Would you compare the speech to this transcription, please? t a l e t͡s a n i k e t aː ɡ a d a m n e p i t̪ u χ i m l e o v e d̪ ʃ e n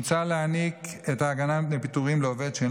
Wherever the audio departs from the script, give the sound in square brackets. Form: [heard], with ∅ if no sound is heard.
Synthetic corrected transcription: [t͡s] a l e [∅] a n i k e t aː ɡ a [n] a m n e p i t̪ u [ʁ] i m l e o v e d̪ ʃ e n